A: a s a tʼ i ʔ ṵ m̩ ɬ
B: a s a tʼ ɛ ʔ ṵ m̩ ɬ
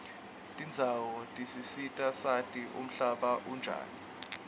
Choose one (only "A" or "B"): A